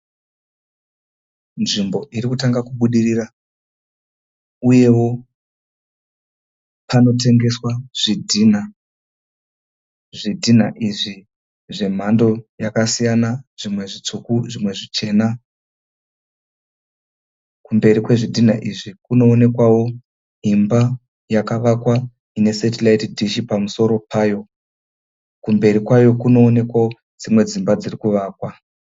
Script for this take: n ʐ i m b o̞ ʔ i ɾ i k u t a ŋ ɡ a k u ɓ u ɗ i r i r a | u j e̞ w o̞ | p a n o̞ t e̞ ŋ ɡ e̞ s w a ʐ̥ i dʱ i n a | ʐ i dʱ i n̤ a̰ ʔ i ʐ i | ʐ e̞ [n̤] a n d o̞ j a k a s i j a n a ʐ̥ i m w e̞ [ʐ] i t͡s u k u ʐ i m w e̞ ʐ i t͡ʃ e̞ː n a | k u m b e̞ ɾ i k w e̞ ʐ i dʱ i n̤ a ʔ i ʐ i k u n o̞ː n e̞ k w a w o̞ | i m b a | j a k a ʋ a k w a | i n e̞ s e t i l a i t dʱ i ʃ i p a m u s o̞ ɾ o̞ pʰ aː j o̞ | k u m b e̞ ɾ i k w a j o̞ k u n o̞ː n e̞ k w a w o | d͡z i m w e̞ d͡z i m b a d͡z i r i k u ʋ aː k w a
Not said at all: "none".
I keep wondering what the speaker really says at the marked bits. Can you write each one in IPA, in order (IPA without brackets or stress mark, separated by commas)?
m̤, ʐ